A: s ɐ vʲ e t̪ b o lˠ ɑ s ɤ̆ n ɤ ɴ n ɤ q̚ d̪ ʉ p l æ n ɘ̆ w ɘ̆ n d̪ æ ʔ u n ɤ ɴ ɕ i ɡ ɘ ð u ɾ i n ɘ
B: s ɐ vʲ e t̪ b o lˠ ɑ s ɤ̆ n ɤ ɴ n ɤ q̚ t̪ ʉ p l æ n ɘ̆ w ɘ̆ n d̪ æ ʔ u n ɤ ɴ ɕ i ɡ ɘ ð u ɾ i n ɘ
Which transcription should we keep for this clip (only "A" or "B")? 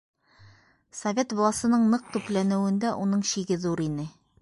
B